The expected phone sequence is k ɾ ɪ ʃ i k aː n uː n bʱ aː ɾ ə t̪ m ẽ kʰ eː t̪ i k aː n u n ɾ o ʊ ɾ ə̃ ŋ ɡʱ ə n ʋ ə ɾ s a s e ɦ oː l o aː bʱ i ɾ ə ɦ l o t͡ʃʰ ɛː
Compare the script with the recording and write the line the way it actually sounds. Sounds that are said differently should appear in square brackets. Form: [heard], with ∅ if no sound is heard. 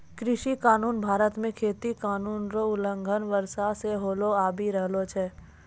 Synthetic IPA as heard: k ɾ ɪ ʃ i k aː n uː n bʱ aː ɾ ə t̪ m ẽ kʰ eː t̪ i k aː n [uː] n ɾ o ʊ [l] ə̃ ŋ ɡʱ ə n ʋ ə ɾ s a s e ɦ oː l o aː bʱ i ɾ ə ɦ l o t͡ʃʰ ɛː